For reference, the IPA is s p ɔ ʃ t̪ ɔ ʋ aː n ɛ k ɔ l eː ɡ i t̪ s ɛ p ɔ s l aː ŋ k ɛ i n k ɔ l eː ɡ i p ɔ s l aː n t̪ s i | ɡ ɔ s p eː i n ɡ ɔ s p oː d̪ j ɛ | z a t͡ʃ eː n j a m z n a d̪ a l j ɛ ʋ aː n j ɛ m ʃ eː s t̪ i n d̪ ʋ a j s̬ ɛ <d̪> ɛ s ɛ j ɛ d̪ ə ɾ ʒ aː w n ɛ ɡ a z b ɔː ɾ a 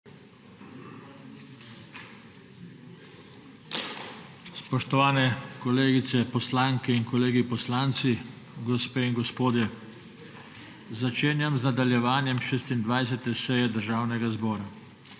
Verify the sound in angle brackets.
incorrect: t̪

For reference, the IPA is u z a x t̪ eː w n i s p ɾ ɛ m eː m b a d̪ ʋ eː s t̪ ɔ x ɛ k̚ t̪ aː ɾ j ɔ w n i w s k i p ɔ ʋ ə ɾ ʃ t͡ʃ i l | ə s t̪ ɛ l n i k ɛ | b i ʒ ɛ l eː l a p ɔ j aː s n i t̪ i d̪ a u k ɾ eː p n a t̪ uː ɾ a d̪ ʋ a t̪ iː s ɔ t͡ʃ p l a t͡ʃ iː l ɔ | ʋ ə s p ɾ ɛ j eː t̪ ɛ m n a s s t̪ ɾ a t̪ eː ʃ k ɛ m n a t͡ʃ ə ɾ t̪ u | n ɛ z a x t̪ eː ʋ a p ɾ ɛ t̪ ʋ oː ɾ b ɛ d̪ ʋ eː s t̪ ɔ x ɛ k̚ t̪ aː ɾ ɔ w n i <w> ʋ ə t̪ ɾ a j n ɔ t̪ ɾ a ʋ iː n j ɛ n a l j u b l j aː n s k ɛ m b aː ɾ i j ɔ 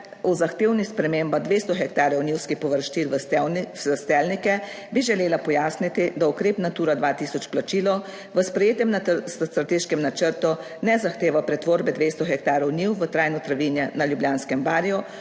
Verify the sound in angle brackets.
correct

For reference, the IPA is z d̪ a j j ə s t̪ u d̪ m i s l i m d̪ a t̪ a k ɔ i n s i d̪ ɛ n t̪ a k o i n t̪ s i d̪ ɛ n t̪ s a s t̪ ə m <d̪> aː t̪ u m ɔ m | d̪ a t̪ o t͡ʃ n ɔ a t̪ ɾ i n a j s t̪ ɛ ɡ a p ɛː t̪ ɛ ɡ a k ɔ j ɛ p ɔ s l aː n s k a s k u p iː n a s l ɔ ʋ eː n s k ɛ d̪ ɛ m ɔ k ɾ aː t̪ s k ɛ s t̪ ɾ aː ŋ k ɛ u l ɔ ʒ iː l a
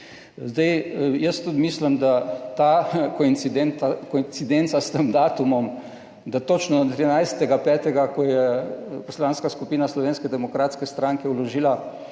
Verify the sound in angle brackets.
correct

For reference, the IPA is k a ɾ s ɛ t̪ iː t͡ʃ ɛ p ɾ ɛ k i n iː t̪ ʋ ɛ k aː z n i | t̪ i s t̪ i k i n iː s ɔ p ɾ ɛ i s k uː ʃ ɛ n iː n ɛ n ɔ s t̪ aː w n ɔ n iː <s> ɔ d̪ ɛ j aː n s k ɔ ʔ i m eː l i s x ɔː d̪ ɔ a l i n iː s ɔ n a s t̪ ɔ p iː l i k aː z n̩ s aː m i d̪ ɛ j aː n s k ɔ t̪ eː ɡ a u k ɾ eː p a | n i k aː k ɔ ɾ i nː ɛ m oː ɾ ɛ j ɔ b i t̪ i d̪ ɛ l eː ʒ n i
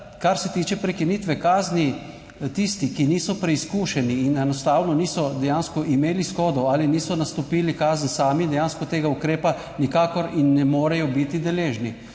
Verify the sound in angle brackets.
correct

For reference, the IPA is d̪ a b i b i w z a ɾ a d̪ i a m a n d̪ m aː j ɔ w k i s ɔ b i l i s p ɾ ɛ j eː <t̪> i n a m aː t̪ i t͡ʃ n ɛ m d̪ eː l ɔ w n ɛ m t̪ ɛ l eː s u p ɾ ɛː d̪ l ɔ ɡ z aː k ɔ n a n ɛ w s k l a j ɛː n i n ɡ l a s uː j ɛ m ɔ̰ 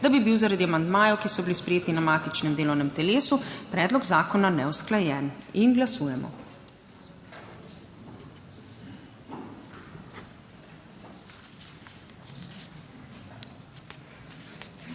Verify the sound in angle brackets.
correct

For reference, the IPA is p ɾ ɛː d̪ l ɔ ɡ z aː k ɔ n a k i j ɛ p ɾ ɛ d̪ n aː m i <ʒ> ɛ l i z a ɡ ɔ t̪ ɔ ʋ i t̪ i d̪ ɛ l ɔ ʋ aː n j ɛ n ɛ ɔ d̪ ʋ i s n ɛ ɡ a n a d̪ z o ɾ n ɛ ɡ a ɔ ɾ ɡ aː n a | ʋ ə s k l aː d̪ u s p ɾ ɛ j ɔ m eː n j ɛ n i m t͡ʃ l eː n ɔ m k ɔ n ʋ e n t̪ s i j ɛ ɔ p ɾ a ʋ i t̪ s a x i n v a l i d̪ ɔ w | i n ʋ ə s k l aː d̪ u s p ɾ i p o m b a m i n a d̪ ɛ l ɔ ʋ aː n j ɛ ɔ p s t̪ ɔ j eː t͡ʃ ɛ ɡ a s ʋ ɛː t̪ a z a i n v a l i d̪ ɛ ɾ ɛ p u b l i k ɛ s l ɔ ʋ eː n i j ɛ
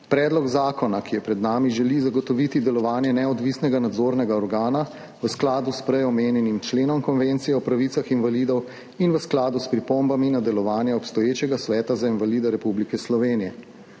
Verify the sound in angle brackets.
correct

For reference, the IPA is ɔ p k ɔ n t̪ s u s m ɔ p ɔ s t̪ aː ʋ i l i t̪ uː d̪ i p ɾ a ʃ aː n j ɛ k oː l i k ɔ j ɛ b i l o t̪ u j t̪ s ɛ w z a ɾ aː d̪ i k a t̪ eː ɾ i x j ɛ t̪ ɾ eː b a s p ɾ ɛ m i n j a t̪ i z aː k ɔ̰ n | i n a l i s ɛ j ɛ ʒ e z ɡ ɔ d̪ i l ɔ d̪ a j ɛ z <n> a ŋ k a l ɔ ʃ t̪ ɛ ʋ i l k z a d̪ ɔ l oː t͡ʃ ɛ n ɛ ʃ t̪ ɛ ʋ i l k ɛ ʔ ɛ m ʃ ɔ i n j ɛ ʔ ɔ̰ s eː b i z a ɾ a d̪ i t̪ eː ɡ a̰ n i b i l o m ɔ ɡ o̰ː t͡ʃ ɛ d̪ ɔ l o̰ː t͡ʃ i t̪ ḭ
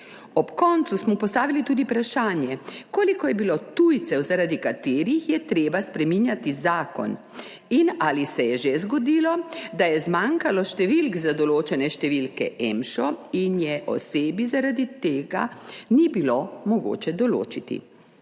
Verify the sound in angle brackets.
incorrect: m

